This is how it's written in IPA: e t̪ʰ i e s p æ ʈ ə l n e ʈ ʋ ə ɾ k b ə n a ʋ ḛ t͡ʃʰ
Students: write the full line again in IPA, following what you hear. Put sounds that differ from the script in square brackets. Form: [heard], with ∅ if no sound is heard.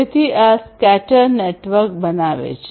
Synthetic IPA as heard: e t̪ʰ i [a] s [k] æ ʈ ə [ɾ] n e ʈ ʋ ə ɾ k b ə n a ʋ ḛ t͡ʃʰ